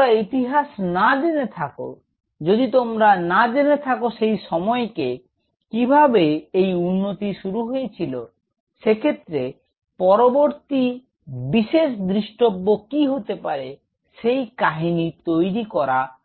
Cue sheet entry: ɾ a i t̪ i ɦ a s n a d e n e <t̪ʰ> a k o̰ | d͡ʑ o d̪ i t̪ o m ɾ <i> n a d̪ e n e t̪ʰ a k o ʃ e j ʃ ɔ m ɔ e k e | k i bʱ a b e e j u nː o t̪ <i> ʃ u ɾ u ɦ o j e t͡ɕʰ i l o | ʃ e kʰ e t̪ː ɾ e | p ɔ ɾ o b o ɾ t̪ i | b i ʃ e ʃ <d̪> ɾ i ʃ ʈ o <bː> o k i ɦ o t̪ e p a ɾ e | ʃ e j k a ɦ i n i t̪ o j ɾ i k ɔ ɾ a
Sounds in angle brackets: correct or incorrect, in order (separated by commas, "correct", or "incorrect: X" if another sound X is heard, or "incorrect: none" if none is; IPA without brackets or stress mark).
correct, incorrect: a, correct, correct, correct